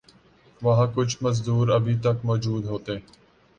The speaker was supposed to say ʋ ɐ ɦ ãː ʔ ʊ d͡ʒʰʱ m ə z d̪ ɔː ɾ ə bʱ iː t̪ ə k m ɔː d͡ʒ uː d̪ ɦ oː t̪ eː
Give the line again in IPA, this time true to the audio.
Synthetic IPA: ʋ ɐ ɦ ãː k ʊ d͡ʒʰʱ m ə z d̪ uː ɾ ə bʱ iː t̪ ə k m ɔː d͡ʒ uː d̪ ɦ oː t̪ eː